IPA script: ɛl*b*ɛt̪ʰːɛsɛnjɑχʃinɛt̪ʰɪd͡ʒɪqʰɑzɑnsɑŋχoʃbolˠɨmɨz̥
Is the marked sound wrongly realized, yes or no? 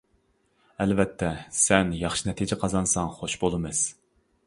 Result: yes